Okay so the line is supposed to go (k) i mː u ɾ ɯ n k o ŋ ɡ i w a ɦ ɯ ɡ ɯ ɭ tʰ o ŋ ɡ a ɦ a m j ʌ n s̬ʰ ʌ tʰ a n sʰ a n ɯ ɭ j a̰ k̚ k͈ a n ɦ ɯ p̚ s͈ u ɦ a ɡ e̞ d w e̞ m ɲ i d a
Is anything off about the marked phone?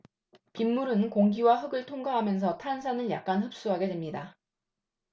yes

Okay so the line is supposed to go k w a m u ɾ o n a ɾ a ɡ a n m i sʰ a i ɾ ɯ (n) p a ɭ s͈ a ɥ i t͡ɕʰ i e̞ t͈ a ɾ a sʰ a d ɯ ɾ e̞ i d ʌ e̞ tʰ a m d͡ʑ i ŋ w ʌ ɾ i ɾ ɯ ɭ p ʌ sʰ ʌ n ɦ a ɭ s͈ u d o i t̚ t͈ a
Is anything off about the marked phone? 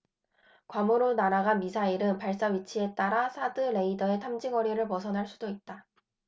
no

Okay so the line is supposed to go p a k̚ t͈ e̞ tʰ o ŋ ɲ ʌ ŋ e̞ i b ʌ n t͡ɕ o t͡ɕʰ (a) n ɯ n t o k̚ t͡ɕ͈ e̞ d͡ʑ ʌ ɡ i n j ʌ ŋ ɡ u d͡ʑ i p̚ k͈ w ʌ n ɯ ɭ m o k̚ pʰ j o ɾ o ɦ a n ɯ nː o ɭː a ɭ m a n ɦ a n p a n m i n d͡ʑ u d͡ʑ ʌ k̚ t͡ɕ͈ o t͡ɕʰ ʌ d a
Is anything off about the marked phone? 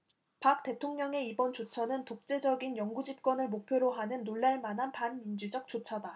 yes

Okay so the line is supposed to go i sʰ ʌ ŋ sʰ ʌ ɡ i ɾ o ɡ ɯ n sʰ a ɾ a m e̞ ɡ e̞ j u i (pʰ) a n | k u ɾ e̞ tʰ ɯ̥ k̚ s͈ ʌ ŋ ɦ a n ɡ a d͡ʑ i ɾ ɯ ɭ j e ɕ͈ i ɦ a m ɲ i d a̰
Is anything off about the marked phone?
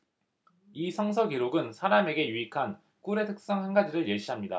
yes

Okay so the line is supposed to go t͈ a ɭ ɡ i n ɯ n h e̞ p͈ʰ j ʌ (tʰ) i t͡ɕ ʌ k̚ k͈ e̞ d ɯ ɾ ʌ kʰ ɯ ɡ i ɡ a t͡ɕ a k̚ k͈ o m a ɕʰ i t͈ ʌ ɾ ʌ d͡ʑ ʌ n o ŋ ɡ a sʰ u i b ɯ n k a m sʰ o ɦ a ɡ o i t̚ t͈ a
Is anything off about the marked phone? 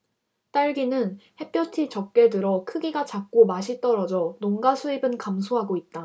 no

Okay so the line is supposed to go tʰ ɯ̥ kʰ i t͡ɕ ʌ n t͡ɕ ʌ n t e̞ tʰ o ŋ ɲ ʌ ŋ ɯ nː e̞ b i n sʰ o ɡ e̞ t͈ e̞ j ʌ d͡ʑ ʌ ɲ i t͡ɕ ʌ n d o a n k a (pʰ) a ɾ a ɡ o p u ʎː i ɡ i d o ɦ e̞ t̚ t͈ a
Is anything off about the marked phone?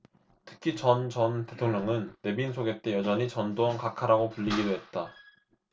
yes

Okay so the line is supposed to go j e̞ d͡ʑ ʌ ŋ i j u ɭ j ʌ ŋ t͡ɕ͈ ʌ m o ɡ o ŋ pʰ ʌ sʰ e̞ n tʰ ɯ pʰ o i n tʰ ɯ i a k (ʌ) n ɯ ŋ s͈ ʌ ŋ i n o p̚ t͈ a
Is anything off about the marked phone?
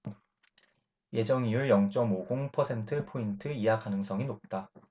yes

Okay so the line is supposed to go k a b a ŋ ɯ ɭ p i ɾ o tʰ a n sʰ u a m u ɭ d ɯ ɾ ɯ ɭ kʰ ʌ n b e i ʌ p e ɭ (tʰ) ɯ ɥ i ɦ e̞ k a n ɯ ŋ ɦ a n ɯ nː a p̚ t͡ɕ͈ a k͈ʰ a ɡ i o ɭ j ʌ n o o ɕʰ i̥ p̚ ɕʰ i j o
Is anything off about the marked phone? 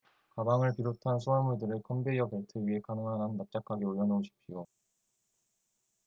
no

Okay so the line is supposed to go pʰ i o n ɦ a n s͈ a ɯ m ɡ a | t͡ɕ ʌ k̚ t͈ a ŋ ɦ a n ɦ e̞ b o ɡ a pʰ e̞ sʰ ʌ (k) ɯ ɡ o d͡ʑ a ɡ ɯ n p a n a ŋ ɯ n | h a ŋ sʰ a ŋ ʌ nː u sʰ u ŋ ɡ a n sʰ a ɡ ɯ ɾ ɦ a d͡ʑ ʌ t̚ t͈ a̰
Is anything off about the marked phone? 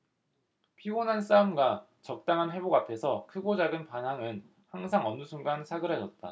yes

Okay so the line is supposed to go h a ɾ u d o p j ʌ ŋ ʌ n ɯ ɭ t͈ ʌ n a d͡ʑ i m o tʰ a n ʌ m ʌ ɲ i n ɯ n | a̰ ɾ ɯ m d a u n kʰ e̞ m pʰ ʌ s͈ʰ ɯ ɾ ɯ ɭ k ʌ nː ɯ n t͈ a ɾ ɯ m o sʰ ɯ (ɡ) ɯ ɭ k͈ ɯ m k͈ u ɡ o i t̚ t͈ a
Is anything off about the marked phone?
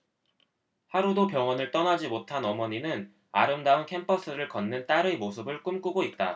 yes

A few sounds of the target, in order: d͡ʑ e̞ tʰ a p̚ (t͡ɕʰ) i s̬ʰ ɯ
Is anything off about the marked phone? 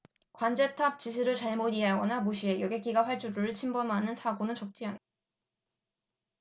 yes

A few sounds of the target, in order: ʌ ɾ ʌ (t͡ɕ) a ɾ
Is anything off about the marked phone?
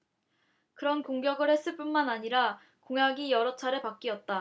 yes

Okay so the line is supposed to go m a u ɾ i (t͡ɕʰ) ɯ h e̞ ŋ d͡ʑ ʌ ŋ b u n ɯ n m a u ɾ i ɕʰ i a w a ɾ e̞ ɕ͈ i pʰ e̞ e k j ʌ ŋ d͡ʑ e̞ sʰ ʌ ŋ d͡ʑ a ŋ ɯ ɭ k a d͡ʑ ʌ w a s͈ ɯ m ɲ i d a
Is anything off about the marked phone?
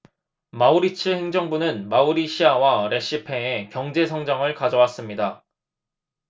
no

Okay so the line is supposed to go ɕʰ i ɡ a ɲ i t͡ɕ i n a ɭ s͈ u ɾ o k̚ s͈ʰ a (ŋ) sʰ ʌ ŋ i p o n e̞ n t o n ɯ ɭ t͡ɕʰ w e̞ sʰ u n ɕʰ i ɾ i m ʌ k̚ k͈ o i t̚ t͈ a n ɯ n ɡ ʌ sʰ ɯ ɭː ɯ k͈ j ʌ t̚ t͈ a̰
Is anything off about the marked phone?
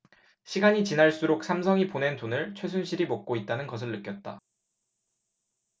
yes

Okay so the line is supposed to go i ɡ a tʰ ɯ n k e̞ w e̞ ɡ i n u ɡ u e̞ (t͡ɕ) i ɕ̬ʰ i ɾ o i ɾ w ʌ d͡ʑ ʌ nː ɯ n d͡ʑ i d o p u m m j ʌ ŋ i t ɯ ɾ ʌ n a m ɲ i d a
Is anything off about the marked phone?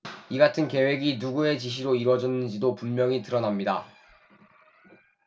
no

